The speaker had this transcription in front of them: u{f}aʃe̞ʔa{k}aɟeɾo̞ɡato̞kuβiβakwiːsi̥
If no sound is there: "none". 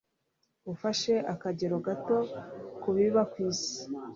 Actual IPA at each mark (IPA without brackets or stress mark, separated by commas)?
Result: f, k